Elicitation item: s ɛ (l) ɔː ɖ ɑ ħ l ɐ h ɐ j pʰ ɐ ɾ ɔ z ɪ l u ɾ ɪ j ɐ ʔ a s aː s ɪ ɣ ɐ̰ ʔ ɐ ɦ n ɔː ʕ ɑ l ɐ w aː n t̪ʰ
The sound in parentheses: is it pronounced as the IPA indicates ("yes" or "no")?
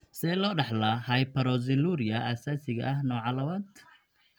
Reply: yes